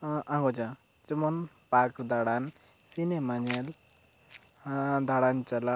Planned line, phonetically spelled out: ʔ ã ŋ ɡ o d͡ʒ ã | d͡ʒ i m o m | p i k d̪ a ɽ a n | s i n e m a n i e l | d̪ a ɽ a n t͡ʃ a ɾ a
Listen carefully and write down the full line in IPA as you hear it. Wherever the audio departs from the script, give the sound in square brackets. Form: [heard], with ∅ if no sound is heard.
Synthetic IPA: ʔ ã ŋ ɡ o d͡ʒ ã | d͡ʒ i m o [n] | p [a] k d̪ a ɽ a n | s i n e m a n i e l | d̪ a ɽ a n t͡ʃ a [l] a